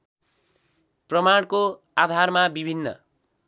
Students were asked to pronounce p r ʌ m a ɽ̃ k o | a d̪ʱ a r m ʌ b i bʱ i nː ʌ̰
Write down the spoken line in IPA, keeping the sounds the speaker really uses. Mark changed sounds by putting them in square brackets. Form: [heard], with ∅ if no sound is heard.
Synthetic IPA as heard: p r ʌ m a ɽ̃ k o | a d̪ʱ a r m [a] b i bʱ i nː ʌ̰